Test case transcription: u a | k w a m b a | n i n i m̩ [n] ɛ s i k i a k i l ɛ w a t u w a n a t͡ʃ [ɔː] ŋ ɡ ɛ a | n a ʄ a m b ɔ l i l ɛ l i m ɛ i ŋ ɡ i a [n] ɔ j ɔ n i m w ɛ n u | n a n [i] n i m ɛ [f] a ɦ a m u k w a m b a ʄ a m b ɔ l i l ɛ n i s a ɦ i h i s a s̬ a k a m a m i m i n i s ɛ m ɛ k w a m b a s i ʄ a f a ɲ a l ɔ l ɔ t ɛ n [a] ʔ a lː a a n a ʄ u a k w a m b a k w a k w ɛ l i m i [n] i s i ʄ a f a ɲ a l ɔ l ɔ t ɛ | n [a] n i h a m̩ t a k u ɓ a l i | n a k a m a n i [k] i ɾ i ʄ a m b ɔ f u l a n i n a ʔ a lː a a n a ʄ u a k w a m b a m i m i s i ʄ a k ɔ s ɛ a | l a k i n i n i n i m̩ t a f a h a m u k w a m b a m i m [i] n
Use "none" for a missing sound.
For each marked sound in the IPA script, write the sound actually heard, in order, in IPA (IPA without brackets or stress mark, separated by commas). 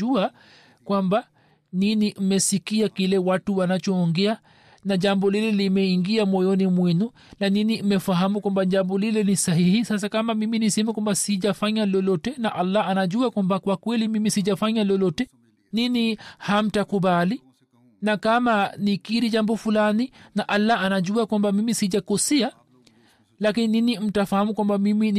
m, ɔː, m, i, f, a, m, i, k, i